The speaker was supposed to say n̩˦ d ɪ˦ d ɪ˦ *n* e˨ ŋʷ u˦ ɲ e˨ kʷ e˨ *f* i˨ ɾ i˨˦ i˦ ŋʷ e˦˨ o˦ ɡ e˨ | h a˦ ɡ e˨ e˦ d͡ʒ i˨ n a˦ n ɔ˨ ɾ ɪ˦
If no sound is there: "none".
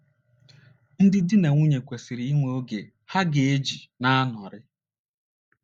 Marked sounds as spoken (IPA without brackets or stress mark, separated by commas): n, s